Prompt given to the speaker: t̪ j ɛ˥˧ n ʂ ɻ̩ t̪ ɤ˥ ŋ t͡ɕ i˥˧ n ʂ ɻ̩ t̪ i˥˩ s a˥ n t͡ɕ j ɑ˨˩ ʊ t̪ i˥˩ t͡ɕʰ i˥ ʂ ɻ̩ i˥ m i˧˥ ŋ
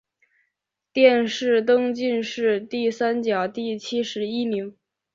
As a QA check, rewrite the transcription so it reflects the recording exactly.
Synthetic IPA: t̪ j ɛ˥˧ n ʂ ɻ̩ t̪ ɤ˥ ŋ t͡ɕ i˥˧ n ʂ ɻ̩ t̪ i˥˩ s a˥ n t͡ɕ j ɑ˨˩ ʊ t̪ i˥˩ t͡ɕʰ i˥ ʂ ɻ̩ i˥ m i˧˥ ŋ